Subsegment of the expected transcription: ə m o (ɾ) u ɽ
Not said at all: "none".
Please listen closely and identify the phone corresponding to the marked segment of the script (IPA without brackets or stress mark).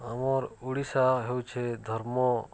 ɾ